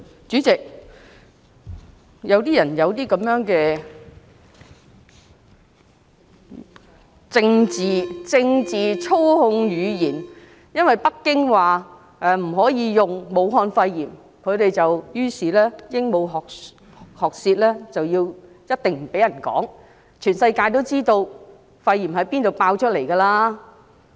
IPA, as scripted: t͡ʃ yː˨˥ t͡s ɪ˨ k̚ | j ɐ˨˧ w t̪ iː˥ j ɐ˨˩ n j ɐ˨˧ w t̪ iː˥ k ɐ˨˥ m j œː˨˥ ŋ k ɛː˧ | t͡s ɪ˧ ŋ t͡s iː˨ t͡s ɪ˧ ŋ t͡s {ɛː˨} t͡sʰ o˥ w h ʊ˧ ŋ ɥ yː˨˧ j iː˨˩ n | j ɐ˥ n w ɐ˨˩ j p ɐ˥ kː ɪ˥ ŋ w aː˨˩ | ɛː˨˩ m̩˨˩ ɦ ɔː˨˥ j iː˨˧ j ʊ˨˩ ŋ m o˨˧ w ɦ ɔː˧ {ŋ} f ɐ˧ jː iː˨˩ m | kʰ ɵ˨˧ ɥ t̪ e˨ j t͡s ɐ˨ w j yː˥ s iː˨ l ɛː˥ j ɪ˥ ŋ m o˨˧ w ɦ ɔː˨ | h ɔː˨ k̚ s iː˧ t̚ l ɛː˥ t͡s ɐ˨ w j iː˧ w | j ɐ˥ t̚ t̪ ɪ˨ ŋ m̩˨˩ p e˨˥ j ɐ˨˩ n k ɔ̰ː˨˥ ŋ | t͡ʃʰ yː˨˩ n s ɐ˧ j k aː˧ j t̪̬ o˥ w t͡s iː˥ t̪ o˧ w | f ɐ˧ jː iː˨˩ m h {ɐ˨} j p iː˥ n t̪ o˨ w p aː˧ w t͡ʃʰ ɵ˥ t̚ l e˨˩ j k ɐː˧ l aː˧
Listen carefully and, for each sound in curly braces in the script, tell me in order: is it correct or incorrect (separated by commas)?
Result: incorrect, incorrect, incorrect